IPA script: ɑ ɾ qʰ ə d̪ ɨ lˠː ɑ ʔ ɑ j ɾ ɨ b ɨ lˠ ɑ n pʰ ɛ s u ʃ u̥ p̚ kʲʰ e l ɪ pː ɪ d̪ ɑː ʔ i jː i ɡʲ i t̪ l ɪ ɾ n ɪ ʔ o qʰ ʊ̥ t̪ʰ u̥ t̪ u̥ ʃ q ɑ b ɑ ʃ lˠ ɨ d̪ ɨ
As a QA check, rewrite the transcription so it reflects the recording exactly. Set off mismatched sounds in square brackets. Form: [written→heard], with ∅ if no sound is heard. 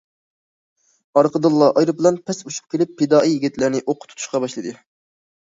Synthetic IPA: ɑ ɾ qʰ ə d̪ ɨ lˠː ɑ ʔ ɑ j ɾ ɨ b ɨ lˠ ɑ n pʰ ɛ s u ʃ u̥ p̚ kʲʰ e l ɪ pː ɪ d̪ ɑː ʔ i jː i ɡʲ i t̪ l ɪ ɾ n ɪ ʔ o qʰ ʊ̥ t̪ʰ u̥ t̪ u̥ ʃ q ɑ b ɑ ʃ lˠ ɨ d̪ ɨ